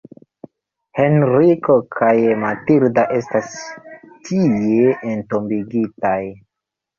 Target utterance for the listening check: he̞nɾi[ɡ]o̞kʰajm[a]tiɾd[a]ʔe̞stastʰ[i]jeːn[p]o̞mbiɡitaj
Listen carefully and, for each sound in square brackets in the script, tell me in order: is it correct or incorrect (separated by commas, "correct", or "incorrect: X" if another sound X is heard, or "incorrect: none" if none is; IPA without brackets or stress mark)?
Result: incorrect: k, correct, correct, correct, incorrect: t